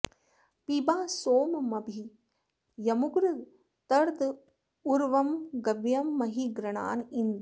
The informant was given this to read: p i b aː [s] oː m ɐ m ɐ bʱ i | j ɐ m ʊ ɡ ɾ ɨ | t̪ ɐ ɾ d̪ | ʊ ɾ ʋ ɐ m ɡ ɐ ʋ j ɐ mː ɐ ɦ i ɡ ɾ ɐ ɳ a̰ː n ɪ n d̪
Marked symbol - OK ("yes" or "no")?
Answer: yes